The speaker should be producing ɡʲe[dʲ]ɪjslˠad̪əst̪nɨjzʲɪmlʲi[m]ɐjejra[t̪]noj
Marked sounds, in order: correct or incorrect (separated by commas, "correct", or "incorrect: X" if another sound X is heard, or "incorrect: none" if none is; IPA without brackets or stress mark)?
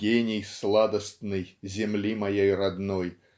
incorrect: nʲ, correct, incorrect: d̪